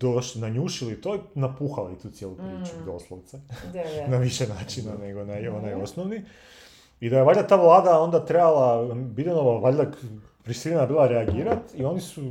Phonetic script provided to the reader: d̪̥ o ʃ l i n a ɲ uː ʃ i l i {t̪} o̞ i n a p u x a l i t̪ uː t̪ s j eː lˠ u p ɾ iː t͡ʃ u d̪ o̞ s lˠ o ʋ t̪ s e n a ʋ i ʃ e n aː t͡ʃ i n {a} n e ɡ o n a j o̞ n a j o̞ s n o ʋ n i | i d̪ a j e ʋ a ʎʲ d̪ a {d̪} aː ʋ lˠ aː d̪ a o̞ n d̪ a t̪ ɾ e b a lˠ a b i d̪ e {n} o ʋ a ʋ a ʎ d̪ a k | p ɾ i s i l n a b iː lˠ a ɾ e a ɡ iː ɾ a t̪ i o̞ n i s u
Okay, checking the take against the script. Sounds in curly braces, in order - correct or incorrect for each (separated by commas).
correct, correct, incorrect, correct